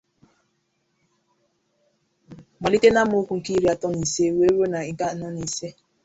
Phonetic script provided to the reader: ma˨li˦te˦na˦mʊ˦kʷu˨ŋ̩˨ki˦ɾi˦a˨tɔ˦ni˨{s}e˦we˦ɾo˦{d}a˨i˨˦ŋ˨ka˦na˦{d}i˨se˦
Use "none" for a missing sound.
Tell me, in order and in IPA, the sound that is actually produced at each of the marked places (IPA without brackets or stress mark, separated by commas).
s, n, n